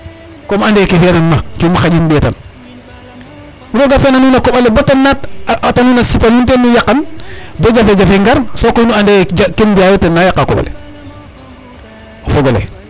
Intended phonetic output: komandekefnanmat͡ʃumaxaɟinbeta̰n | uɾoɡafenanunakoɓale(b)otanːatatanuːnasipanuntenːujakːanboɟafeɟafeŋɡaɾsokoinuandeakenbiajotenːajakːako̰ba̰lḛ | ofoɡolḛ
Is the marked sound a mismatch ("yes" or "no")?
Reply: no